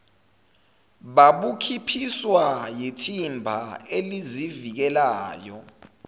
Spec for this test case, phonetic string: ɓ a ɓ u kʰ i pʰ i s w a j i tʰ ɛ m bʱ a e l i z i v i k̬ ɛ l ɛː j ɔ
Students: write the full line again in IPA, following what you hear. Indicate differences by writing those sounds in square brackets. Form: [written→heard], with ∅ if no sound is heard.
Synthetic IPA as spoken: ɓ a ɓ u kʰ i pʰ i s w a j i tʰ [ɛ→i] m bʱ a e l i z i v i k̬ ɛ l [ɛː→aː] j ɔ